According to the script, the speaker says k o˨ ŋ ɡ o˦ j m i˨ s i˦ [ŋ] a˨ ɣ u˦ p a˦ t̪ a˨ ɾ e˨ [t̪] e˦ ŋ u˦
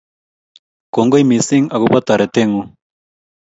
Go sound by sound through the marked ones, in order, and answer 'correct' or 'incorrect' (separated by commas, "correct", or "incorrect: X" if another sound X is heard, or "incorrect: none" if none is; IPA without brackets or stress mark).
correct, correct